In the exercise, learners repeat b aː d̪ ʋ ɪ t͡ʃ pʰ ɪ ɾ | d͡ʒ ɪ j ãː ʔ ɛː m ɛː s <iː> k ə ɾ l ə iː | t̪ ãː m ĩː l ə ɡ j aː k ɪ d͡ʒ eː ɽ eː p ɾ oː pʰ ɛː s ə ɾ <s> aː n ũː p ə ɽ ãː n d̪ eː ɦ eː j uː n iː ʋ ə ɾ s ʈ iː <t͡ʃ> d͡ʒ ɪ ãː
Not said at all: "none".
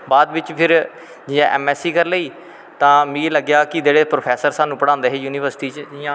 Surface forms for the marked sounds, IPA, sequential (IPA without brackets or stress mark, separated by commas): iː, s, t͡ʃ